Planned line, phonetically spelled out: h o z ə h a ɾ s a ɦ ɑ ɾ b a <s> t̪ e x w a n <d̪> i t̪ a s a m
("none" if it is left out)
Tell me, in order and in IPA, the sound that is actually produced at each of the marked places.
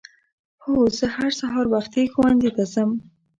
x, d̪

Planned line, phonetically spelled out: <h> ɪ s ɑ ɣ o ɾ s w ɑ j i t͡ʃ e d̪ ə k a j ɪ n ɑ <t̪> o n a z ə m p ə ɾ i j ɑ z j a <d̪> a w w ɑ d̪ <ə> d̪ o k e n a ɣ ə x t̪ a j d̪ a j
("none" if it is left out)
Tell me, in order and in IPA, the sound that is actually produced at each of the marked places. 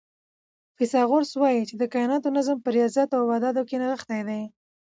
f, t̪, t̪, ɑ

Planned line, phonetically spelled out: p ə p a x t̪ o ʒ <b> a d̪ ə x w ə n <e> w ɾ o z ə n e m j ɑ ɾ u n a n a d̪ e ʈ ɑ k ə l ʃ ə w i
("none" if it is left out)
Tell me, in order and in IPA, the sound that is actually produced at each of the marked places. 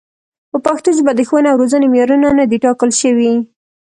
b, a

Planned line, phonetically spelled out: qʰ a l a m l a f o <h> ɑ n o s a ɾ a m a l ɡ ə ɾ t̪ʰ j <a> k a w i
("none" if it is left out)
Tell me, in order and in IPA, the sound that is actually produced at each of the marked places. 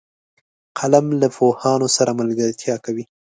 h, ɑ

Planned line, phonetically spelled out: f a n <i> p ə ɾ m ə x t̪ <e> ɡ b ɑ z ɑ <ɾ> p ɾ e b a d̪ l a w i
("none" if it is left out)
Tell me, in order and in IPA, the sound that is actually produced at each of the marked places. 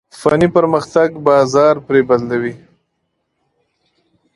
i, a, ɾ

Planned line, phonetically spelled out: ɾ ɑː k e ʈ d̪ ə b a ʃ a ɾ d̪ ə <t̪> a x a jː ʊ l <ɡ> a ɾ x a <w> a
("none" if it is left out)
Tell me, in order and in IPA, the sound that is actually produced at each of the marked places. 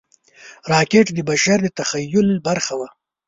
t̪, b, w

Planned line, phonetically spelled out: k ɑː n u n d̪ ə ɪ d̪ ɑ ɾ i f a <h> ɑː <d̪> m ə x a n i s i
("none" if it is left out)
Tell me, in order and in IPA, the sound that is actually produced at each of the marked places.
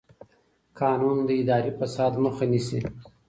s, d̪

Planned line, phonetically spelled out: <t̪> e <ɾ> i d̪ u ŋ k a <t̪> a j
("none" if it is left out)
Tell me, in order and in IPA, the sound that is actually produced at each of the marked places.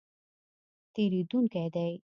t̪, ɾ, d̪

